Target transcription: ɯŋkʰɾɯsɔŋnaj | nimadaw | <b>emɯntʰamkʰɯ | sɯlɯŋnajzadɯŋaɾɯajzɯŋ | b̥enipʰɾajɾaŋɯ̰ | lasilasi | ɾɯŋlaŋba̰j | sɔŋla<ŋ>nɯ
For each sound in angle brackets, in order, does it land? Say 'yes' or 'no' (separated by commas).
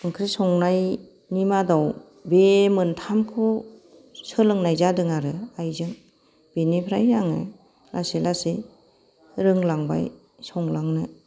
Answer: yes, yes